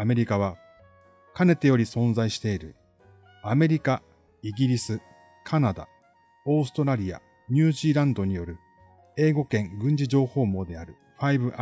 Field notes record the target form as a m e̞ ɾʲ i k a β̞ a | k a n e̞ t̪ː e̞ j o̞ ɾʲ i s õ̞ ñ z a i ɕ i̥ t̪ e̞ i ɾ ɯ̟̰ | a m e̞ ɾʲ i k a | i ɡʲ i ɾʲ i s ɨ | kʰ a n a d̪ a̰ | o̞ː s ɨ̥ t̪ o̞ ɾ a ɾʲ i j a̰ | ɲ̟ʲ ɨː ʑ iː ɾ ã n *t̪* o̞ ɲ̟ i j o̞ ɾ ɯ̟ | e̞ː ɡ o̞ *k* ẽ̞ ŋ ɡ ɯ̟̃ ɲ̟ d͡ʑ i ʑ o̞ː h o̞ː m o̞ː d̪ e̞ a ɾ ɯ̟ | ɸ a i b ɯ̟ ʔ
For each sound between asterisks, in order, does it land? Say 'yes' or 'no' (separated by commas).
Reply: no, yes